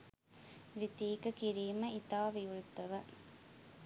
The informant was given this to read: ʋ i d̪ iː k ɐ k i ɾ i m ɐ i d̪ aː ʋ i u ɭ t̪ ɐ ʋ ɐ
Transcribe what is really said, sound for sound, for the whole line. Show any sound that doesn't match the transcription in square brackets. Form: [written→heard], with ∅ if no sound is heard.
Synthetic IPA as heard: ʋ i [d̪→t̪] iː k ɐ k i ɾ [i→iː] m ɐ i [d̪→t̪] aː ʋ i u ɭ t̪ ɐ ʋ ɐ